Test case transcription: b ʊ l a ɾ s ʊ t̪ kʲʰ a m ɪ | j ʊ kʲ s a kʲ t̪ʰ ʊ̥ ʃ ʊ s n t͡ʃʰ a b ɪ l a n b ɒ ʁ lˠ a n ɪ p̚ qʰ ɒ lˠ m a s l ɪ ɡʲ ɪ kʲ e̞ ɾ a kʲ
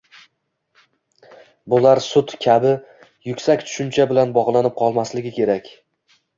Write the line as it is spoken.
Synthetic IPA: b ʊ l a ɾ s ʊ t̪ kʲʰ a b ɪ | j ʊ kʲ s a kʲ t̪ʰ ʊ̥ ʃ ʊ n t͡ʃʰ a b ɪ l a n b ɒ ʁ lˠ a n ɪ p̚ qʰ ɒ lˠ m a s l ɪ ɡʲ ɪ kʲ e̞ ɾ a kʲ

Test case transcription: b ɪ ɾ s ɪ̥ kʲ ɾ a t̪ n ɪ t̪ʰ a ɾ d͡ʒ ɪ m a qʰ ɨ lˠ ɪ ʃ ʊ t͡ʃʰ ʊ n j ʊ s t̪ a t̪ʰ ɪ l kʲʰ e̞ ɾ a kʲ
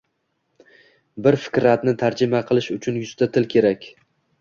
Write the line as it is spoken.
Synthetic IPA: b ɪ ɾ f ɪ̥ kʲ ɾ a t̪ n ɪ t̪ʰ a ɾ d͡ʒ ɪ m a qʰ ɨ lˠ ɪ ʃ ʊ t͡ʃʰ ʊ n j ʊ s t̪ a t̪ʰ ɪ l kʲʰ e̞ ɾ a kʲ

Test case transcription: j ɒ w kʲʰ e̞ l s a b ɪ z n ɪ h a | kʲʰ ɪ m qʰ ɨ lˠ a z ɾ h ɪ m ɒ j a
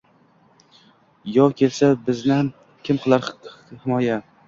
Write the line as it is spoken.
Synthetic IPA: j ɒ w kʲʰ e̞ l s a b ɪ z n ɪ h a | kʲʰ ɪ m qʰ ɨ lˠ a ɾ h ɪ m ɒ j a

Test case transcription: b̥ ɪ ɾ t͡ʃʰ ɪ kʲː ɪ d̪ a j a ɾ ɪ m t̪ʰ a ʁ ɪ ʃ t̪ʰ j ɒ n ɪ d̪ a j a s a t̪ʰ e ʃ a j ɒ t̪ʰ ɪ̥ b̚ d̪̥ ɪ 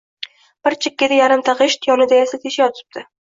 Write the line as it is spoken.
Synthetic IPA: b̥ ɪ ɾ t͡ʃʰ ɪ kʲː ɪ d̪ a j a ɾ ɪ m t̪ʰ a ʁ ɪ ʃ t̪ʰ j ɒ n ɪ d̪ a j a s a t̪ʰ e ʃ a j ɒ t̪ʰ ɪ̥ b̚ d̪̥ ɪ

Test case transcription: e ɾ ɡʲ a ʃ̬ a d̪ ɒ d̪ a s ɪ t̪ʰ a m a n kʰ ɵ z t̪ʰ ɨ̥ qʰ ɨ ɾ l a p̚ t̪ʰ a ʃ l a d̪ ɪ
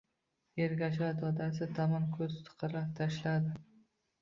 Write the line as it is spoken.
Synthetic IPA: e ɾ ɡʲ a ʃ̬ a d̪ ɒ d̪ a s ɪ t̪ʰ a m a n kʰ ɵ z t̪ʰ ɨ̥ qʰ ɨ ɾ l a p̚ t̪ʰ a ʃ l a d̪ ɪ

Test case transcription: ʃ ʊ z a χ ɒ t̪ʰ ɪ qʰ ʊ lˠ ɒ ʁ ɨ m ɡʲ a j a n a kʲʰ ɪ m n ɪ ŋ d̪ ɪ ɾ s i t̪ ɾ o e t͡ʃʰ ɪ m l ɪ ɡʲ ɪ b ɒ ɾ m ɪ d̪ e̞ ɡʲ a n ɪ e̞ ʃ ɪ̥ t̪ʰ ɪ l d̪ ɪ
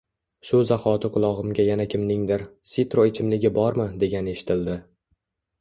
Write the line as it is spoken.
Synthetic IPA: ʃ ʊ z a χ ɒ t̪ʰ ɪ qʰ ʊ lˠ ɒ ʁ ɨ m ɡʲ a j a n a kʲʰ ɪ m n ɪ ŋ d̪ ɪ ɾ s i t̪ ɾ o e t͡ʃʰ ɪ m l ɪ ɡʲ ɪ b ɒ ɾ m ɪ d̪ e̞ ɡʲ a n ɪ e̞ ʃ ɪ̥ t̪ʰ ɪ l d̪ ɪ

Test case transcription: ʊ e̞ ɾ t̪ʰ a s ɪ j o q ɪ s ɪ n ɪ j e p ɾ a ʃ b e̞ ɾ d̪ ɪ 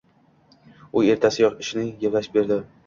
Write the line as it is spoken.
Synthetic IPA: ʊ e̞ ɾ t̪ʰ a s ɪ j ɒ q ɪ ʃ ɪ n ɪ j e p l a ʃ b e̞ ɾ d̪ ɪ

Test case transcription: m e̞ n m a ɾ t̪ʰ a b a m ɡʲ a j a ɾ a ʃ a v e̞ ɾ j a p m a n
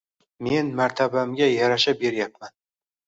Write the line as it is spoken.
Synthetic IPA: m e̞ n m a ɾ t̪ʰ a b a m ɡʲ a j a ɾ a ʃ a b e̞ ɾ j a p m a n

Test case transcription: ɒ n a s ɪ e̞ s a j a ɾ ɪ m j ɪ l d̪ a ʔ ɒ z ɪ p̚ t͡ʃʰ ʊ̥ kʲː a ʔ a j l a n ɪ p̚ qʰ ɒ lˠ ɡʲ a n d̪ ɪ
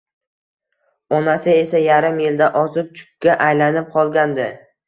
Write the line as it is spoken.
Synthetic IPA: ɒ n a s ɪ e̞ s a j a ɾ ɪ m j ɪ l d̪ a ʔ ɒ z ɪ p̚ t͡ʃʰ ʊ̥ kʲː a ʔ a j l a n ɪ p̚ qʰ ɒ lˠ ɡʲ a n d̪ ɪ

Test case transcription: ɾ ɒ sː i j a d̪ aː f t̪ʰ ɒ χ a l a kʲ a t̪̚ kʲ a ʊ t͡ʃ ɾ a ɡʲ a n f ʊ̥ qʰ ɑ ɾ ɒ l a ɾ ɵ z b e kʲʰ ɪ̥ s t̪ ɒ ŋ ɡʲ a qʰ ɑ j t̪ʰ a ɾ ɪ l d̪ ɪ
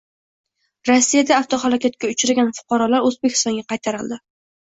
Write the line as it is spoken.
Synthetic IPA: ɾ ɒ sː i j a d̪ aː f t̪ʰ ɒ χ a l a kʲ a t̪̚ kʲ a ʊ t͡ʃ ɾ a ɡʲ a n f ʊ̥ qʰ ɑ ɾ ɒ l a ɾ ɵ z b e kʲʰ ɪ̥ s t̪ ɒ ŋ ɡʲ a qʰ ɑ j t̪ʰ a ɾ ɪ l d̪ ɪ

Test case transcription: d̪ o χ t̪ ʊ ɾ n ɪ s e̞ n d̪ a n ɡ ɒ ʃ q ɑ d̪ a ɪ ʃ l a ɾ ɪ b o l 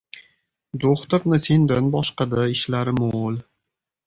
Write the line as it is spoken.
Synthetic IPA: d̪ o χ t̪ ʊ ɾ n ɪ s e̞ n d̪ a n b ɒ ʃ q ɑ d̪ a ɪ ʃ l a ɾ ɪ m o l

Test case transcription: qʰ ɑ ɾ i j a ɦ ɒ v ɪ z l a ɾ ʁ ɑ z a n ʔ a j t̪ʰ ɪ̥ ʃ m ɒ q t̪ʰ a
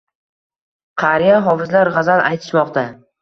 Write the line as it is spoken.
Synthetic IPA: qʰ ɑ ɾ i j a ɦ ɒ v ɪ z l a ɾ ʁ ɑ z a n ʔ a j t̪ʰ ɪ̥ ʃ m ɒ q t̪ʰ a

